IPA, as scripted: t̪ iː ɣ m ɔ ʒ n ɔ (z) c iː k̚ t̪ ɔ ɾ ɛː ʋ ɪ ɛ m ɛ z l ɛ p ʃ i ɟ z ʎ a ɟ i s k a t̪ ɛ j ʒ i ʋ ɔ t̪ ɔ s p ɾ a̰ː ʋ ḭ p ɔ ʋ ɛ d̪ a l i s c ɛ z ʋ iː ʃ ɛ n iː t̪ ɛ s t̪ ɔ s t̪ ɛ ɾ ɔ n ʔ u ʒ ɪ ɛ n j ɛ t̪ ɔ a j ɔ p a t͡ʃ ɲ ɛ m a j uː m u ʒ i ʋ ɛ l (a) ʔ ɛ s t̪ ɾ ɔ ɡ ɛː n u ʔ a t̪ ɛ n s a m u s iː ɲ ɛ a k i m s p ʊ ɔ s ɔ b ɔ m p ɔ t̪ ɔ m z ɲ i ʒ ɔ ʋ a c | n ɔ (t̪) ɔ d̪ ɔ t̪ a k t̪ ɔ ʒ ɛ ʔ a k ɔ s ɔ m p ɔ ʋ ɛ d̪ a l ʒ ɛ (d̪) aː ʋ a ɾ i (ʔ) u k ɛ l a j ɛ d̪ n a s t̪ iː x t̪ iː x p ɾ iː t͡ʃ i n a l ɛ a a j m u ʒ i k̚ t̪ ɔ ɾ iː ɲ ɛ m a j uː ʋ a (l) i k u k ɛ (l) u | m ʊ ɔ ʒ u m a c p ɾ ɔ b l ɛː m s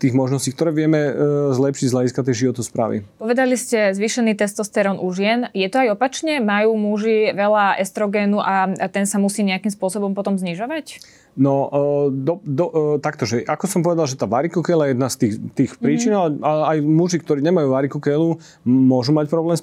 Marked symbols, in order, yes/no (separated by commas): no, yes, no, no, no, no, yes